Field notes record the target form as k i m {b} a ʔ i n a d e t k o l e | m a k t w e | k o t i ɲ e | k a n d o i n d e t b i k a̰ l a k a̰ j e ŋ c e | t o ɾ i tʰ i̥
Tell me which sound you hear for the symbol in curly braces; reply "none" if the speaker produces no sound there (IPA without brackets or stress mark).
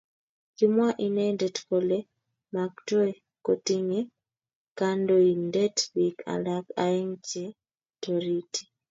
w